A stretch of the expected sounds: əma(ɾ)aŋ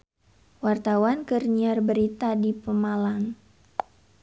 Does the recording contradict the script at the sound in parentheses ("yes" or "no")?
yes